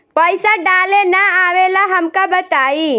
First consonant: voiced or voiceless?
voiceless